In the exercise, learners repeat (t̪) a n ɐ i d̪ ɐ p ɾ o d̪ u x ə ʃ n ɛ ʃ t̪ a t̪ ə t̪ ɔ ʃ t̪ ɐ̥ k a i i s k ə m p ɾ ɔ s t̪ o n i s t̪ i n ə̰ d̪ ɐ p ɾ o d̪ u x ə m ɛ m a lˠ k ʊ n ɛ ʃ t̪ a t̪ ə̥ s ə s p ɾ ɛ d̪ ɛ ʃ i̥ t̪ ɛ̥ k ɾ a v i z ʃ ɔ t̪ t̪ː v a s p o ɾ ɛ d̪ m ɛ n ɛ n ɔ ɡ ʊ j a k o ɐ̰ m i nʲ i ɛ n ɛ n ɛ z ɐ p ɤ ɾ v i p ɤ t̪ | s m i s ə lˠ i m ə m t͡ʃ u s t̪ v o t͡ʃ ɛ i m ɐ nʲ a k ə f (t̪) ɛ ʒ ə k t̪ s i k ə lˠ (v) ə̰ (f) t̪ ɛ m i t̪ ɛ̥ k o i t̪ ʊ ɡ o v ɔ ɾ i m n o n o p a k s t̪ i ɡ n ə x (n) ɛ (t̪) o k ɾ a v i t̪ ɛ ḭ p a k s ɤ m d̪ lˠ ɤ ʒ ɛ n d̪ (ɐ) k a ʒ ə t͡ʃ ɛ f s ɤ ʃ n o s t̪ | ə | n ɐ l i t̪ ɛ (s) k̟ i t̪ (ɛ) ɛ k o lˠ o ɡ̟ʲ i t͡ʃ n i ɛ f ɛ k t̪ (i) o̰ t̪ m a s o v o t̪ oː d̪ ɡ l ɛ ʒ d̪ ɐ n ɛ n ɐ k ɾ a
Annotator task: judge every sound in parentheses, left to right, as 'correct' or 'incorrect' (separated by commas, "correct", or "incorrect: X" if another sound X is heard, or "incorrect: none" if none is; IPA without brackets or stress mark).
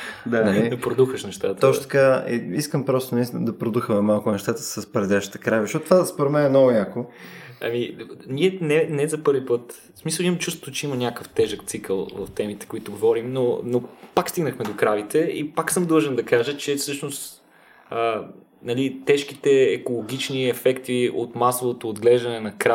incorrect: d̪, correct, correct, correct, incorrect: m, incorrect: d̪, correct, incorrect: ʃ, correct, correct